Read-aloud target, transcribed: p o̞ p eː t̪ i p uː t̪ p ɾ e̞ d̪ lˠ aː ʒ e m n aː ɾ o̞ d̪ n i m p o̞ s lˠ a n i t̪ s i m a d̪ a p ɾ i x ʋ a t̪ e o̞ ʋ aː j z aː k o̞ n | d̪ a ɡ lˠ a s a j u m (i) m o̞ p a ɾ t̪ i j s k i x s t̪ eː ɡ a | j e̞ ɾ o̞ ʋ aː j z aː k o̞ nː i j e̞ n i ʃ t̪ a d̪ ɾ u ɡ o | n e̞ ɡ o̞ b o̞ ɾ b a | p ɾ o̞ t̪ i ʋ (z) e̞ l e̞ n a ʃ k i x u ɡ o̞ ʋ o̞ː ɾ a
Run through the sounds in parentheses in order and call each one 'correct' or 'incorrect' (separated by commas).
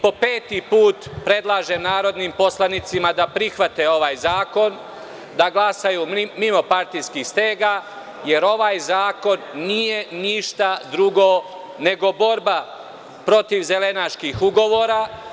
correct, correct